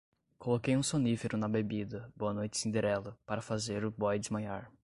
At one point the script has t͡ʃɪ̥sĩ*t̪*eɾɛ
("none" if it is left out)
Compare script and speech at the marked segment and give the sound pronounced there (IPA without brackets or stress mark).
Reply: d̪